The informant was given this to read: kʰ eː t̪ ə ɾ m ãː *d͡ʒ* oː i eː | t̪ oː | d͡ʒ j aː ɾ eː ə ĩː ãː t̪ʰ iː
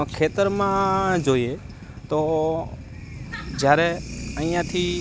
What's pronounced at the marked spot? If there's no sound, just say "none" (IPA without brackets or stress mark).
d͡ʒ